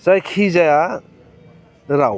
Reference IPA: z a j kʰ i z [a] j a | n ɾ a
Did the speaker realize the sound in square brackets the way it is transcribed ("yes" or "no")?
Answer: yes